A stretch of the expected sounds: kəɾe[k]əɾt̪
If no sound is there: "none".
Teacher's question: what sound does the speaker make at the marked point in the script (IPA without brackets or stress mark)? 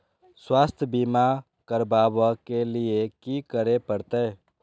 p